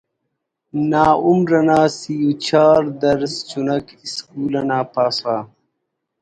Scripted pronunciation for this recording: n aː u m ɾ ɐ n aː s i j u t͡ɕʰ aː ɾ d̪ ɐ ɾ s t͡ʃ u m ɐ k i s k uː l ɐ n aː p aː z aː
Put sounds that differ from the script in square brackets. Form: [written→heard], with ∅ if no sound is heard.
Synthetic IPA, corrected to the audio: n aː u m ɾ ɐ n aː s i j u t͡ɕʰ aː ɾ d̪ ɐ ɾ s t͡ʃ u [m→n] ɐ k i s k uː l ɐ n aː p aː [z→s] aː